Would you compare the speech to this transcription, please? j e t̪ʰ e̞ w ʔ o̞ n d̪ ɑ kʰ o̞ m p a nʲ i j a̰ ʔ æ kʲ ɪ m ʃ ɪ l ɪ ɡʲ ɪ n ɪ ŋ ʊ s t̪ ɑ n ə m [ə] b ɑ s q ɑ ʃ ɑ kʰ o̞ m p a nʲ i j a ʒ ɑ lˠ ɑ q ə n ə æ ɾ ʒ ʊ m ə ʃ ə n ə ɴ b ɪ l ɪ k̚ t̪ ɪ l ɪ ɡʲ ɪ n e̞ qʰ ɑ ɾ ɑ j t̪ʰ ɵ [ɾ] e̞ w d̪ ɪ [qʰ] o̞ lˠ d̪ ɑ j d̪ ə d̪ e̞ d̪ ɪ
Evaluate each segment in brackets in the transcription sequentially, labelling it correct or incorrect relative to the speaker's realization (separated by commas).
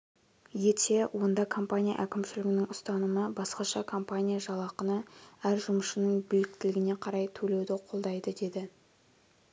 correct, incorrect, correct